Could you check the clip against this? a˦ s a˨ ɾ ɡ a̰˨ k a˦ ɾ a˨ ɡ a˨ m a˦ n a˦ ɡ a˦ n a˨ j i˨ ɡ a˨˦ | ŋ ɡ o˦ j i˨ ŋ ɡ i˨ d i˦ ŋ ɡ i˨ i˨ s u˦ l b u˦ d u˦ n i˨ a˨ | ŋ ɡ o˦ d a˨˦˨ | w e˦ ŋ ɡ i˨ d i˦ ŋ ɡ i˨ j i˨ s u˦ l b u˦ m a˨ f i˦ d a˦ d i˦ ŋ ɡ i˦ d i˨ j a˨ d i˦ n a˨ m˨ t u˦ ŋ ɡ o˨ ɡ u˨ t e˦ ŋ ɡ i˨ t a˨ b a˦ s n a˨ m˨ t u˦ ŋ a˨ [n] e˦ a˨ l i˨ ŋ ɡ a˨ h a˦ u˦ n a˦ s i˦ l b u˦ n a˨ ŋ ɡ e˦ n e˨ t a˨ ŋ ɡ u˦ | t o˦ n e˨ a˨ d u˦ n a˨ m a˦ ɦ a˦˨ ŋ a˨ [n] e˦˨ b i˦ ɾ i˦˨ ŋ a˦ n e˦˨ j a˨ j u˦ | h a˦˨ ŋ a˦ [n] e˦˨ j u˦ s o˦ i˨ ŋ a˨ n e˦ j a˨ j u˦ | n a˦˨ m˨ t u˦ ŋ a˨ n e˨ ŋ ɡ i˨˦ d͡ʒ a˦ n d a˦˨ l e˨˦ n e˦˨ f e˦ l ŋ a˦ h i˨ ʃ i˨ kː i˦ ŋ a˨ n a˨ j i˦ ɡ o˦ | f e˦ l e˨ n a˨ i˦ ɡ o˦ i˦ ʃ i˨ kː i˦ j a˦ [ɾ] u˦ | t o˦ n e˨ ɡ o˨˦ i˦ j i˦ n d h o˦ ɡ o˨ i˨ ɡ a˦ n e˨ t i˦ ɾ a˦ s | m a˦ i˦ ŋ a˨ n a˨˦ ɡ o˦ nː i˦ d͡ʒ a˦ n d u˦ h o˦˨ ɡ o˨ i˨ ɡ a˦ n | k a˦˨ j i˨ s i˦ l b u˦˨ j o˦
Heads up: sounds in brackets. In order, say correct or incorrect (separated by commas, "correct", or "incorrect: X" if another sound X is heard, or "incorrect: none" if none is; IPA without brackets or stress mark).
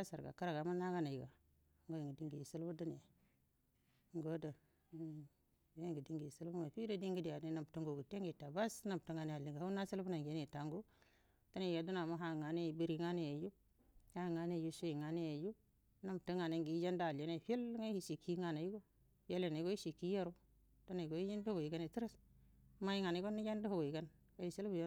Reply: correct, correct, correct, correct